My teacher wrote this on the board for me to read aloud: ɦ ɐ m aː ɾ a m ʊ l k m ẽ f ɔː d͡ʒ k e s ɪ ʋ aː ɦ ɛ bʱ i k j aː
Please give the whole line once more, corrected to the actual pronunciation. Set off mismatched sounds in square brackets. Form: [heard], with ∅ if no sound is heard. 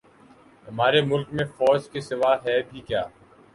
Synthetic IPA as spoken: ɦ ɐ m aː ɾ [e] m ʊ l k m ẽ f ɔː d͡ʒ k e s ɪ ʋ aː ɦ ɛ bʱ i k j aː